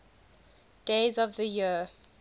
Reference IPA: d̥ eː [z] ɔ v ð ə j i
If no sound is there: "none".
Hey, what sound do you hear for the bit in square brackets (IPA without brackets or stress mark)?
z